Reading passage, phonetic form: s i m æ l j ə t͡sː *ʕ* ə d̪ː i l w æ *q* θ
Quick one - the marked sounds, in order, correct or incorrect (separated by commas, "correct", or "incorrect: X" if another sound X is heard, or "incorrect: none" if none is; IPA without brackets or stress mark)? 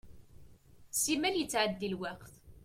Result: correct, correct